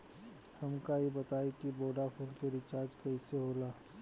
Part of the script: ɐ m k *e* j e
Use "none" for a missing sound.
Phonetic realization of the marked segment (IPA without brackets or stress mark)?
a